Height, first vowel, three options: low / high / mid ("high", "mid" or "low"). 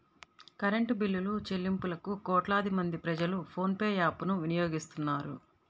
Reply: low